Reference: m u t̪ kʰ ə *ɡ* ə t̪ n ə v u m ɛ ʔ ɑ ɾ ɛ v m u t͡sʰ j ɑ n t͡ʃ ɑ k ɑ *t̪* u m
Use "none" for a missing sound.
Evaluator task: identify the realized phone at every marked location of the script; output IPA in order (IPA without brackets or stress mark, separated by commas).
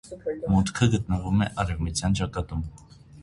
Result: ɡ, t̪